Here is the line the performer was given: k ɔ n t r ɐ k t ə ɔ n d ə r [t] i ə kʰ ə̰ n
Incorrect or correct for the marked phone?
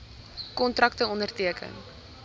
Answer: correct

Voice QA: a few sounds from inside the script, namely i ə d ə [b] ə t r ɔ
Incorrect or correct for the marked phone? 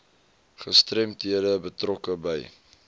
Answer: correct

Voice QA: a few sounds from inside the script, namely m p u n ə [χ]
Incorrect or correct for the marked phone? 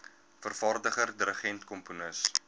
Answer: incorrect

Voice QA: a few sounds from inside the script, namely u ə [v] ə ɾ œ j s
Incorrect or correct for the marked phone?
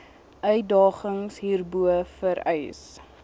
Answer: incorrect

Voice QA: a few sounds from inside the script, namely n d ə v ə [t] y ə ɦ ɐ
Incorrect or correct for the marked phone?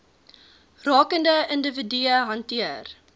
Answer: incorrect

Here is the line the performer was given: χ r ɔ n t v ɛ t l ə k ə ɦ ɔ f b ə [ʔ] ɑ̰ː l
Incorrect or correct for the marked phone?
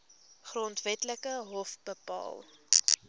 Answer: incorrect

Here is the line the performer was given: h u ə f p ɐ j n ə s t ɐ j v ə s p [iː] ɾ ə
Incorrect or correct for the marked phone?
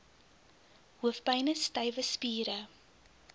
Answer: correct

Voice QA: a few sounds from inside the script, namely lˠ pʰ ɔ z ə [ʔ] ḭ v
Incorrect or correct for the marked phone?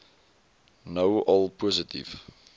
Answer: incorrect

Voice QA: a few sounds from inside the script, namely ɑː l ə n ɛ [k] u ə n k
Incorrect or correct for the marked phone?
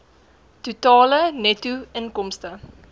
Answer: incorrect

